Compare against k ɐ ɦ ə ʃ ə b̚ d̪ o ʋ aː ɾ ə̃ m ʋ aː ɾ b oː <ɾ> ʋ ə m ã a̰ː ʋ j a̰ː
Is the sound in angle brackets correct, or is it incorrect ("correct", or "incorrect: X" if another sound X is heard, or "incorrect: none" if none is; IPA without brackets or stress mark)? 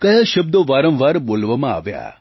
incorrect: l